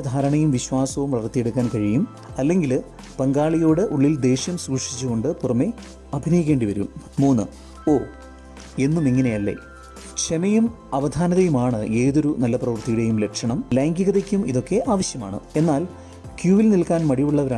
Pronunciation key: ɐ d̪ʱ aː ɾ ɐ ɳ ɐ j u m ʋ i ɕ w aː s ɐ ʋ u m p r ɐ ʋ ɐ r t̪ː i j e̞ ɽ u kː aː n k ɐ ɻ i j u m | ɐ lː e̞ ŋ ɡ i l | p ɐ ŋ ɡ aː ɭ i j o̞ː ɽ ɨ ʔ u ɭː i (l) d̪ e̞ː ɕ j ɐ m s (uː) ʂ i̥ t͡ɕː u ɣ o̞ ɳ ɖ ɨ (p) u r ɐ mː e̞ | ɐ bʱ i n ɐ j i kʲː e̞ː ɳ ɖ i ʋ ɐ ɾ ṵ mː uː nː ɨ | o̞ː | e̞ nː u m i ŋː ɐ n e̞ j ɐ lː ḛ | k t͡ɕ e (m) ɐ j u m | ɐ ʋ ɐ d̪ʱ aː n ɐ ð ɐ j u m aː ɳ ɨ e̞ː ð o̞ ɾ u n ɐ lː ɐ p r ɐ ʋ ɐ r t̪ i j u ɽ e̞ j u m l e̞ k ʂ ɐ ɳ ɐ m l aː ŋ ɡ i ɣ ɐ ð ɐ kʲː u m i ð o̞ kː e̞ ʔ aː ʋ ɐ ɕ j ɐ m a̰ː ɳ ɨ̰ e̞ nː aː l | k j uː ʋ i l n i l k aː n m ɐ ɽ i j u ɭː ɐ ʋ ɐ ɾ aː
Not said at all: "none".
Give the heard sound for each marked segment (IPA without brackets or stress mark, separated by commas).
l, uː, p, m